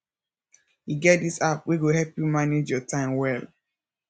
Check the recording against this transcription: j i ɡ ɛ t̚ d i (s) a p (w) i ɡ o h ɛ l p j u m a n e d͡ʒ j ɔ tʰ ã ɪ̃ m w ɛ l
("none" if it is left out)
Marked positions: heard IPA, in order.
s, w

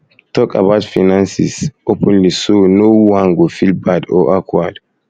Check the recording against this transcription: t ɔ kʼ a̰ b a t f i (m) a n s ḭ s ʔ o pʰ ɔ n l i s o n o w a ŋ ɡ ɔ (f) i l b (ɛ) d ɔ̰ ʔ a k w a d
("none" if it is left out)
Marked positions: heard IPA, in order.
n, f, a

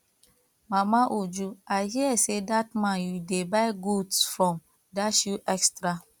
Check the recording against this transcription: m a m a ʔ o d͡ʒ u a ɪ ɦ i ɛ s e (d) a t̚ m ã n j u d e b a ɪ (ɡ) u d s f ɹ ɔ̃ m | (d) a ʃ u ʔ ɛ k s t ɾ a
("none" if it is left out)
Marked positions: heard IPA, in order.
d, ɡ, d

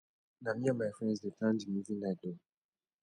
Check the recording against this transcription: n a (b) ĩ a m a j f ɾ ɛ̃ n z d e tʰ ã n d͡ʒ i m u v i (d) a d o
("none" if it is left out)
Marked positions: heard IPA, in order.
m, n

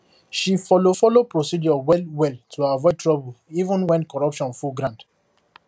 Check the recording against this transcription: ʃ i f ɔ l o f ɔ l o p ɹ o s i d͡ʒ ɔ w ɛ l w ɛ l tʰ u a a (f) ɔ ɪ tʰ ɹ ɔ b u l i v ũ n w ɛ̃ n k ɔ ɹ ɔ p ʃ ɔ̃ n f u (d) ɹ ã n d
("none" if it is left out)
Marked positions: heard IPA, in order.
v, ɡ

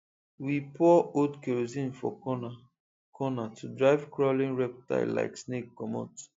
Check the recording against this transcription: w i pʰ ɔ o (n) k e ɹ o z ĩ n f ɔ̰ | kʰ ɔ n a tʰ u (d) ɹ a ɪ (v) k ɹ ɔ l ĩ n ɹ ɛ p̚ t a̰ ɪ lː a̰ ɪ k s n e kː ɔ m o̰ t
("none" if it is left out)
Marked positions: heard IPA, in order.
d, d, v

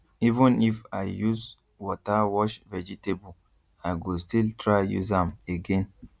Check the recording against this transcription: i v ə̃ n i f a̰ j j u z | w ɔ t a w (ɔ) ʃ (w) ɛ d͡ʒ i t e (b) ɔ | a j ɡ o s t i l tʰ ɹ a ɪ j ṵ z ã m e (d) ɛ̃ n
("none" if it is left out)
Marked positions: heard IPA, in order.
ɔ, v, b, ɡ

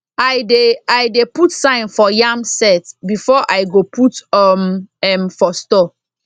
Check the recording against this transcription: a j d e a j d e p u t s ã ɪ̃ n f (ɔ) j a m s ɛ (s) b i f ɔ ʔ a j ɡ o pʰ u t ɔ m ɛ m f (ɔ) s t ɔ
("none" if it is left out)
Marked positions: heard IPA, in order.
ɔ, t, ɔ

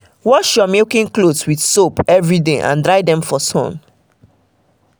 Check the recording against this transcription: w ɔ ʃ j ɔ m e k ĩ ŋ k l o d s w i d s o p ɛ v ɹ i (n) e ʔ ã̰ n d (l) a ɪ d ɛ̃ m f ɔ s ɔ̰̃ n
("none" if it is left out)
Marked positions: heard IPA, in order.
d, ɹ

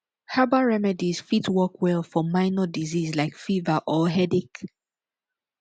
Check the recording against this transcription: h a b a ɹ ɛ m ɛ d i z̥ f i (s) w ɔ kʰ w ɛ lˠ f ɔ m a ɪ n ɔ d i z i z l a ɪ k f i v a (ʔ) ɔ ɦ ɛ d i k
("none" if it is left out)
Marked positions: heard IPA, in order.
t, ʔ

